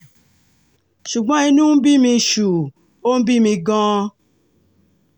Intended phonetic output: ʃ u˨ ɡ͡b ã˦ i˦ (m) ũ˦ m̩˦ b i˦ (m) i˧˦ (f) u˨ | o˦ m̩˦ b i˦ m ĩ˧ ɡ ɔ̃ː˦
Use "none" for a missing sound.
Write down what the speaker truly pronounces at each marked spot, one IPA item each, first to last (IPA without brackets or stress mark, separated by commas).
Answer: n, m, ʃ